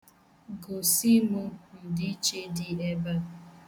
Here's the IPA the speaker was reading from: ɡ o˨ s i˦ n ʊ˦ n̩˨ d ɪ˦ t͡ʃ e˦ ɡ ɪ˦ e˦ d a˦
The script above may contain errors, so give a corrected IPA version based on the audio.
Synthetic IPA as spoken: ɡ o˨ s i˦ m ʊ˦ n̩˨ d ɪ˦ t͡ʃ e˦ d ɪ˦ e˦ b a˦